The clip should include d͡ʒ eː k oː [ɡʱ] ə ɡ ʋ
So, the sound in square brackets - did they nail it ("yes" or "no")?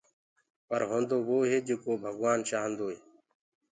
no